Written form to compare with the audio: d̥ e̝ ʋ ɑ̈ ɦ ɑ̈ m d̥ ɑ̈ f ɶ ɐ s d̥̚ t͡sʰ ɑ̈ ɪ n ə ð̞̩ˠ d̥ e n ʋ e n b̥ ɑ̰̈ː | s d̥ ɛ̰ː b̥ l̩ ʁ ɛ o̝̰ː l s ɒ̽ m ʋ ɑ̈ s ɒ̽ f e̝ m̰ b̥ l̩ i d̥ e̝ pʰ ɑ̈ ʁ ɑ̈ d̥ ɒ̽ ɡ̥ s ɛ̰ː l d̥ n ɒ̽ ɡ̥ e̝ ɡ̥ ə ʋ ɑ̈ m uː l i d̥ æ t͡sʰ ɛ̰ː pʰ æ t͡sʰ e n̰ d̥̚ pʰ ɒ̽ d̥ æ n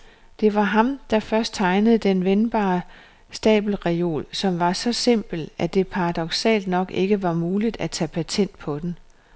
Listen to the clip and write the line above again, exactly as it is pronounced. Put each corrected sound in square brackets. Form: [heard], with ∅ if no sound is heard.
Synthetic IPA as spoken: d̥ e̝ ʋ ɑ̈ ɦ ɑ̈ m d̥ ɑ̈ f ɶ ɐ s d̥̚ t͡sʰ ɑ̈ ɪ n ə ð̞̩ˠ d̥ e n ʋ e n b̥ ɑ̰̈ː | s d̥ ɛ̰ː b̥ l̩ ʁ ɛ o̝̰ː l s ɒ̽ m ʋ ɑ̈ s ɒ̽ [s] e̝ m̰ b̥ l̩ [æ] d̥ e̝ pʰ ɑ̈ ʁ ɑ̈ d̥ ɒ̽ ɡ̥ s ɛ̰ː l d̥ n ɒ̽ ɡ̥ e̝ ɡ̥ ə ʋ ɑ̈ m uː l i d̥ æ t͡sʰ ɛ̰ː pʰ æ t͡sʰ e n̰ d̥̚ pʰ ɒ̽ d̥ [e] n